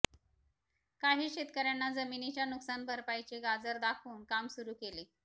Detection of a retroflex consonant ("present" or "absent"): absent